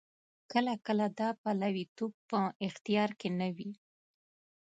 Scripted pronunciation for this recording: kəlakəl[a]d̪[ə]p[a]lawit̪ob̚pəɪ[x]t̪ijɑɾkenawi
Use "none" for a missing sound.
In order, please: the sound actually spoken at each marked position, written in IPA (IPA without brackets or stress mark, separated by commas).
a, ɑ, a, x